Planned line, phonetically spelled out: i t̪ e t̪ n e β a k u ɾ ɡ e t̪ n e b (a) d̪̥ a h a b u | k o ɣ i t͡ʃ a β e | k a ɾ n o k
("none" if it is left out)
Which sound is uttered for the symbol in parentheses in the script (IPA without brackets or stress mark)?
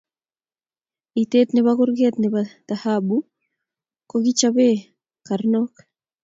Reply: a